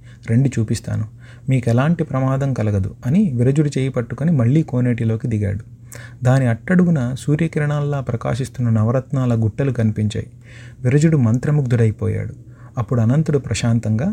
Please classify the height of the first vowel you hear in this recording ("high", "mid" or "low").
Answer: mid